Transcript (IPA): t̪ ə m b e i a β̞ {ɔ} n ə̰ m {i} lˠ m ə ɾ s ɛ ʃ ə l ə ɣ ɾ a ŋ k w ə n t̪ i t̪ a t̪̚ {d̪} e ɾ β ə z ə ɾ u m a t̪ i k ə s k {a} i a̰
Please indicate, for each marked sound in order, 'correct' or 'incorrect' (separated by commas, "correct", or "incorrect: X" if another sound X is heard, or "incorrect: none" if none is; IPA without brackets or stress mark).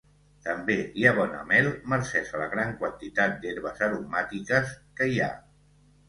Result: correct, incorrect: ɛ, correct, incorrect: ə